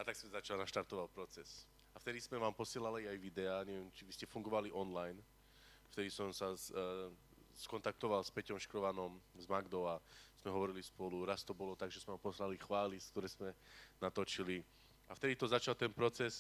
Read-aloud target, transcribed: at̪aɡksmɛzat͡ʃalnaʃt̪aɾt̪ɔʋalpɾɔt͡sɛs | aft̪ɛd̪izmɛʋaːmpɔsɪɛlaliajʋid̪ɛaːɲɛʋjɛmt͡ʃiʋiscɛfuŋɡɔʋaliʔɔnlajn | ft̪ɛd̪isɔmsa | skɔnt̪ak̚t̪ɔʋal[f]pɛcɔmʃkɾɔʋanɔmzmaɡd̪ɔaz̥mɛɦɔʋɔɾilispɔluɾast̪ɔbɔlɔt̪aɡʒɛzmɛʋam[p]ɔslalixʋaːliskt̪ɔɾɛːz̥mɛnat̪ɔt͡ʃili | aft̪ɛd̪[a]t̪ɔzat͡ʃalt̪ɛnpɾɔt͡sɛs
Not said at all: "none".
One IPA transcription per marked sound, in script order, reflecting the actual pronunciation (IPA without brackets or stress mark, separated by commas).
s, p, i